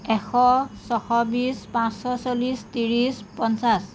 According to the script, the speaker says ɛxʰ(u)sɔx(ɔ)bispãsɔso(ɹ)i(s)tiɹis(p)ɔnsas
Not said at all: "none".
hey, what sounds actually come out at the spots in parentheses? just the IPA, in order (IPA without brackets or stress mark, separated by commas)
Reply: ɔ, ɔ, l, s, p